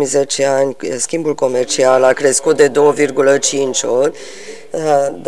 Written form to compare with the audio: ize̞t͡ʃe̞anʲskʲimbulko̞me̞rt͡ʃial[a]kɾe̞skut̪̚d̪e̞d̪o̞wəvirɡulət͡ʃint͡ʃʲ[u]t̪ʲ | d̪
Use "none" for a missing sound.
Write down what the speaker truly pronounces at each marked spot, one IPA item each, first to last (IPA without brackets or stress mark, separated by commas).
a, o